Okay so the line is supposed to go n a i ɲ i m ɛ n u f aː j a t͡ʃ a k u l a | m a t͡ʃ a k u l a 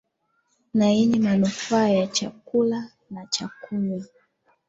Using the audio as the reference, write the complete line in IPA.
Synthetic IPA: n a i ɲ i m a n u f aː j a t͡ʃ a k u l a | n a t͡ʃ a k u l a